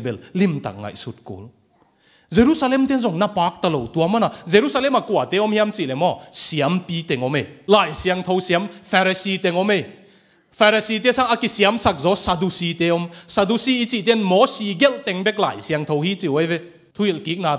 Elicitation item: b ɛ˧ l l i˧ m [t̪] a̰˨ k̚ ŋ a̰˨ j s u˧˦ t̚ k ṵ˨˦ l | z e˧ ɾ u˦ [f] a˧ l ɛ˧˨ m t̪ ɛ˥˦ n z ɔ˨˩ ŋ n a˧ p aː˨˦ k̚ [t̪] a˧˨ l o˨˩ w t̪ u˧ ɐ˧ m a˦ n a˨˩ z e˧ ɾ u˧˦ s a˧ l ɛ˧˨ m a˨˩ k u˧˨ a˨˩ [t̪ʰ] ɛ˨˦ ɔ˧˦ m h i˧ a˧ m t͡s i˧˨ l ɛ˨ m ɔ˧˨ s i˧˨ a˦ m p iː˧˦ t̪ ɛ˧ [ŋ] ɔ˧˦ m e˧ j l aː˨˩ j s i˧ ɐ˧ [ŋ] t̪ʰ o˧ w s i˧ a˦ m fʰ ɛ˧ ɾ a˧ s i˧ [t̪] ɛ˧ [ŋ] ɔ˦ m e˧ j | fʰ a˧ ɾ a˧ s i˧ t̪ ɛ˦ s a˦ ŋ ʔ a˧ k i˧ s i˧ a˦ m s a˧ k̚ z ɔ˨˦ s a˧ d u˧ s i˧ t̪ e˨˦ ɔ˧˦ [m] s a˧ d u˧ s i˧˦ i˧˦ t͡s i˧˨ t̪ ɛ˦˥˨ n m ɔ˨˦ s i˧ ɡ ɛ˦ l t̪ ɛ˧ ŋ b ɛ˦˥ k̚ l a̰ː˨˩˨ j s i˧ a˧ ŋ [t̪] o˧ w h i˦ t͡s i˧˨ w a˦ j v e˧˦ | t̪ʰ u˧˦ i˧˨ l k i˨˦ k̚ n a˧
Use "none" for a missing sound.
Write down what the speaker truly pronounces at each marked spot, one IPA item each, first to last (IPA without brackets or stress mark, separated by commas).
t̪, s, t̪, t̪, ŋ, ŋ, t̪, ŋ, m, t̪ʰ